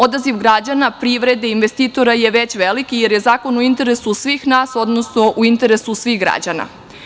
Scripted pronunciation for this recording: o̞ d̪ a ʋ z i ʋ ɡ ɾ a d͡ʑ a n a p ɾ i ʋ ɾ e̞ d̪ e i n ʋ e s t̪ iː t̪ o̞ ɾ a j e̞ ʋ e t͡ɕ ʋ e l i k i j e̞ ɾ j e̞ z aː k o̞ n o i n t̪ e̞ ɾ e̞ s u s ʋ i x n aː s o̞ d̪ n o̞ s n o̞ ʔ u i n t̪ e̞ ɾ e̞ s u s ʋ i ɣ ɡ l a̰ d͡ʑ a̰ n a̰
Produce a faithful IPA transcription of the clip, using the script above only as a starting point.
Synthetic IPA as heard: o̞ d̪ a z i ʋ ɡ ɾ a d͡ʑ a n a p ɾ i ʋ ɾ e̞ d̪ e i n ʋ e s t̪ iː t̪ o̞ ɾ a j e̞ ʋ e t͡ɕ ʋ e l i k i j e̞ ɾ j e̞ z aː k o̞ n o i n t̪ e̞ ɾ e̞ s u s ʋ i x n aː s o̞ d̪ n o̞ s n o̞ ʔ u i n t̪ e̞ ɾ e̞ s u s ʋ i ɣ ɡ ɾ a̰ d͡ʑ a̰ n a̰